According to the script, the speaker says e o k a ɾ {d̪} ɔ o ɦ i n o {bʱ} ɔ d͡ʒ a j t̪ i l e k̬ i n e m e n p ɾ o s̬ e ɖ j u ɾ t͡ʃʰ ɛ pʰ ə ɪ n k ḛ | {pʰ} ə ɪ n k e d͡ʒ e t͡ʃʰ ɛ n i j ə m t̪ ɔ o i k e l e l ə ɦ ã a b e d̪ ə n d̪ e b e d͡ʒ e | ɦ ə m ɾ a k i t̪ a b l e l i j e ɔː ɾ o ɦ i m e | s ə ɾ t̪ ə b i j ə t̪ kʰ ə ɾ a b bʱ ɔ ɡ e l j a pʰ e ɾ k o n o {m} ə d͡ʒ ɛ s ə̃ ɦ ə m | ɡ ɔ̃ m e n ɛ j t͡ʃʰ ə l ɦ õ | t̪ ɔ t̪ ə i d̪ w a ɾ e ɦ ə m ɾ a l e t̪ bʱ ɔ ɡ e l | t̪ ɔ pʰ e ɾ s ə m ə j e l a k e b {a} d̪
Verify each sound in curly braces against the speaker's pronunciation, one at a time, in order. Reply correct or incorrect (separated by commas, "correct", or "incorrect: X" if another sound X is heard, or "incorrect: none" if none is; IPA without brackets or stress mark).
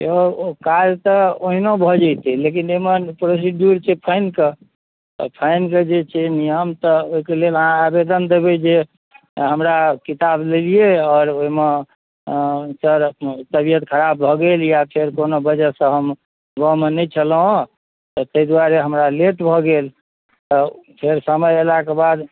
incorrect: t̪, correct, correct, incorrect: b, correct